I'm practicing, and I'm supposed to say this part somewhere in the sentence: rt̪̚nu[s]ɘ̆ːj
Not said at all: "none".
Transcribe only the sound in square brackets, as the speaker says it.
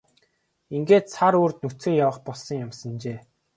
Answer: t͡s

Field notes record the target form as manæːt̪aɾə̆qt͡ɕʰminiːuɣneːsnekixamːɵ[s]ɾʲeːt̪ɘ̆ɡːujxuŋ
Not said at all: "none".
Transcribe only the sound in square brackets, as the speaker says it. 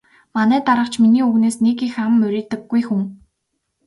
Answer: none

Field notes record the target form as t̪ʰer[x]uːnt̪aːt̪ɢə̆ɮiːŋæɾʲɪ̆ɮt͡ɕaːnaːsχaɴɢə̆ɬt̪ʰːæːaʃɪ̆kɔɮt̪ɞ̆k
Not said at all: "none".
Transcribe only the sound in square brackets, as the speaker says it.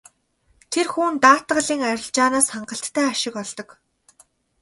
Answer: x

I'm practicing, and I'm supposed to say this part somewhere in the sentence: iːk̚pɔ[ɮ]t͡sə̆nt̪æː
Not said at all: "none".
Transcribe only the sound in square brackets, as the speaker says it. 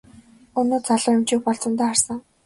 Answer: ɮ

